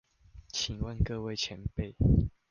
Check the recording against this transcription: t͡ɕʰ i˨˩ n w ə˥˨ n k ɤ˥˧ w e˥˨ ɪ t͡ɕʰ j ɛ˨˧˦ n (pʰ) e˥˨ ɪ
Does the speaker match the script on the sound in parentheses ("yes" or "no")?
no